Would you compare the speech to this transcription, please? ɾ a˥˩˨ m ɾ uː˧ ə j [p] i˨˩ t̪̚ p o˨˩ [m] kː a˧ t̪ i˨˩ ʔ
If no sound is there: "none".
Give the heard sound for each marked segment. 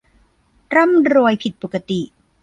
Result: pʰ, none

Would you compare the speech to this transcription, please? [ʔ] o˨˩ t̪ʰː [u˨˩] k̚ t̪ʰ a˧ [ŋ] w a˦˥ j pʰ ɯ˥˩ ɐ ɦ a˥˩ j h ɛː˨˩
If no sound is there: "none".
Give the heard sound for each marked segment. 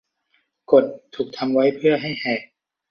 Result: k, uː˨˩, m

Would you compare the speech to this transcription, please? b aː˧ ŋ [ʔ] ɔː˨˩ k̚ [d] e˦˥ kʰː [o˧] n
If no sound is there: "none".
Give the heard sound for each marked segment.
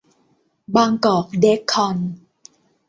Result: k, d, ɔ˧

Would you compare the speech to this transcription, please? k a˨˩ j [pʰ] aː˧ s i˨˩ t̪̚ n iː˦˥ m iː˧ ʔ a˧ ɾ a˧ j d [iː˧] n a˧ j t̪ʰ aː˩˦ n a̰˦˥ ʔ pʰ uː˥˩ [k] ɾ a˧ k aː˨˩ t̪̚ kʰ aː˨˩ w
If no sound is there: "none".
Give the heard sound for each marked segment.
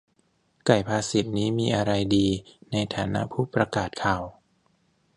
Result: pʰ, iː˧, p

